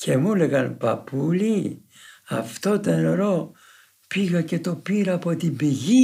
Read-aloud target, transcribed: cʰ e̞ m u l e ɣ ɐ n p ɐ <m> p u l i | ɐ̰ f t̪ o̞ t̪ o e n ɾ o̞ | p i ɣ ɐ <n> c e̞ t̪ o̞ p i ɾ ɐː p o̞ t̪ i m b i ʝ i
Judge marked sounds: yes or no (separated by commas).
no, no